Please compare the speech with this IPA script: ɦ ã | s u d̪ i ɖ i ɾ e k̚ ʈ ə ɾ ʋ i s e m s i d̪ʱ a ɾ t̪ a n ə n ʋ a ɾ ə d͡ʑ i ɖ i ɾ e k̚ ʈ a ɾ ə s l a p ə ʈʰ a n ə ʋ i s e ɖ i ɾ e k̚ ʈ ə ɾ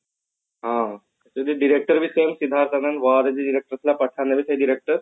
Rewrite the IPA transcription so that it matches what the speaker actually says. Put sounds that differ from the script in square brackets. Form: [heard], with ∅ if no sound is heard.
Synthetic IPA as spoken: ɦ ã | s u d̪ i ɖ i ɾ e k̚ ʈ ə ɾ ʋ i s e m s i d̪ʱ a ɾ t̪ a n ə n ʋ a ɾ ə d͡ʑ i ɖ i ɾ e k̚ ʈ [ə] ɾ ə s l a p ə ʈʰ a n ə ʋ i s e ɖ i ɾ e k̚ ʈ ə ɾ